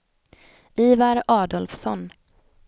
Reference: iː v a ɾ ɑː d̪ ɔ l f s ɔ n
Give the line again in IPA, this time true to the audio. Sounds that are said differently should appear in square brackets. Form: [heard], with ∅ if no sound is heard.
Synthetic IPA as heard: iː v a ɾ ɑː d̪ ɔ l f s ɔ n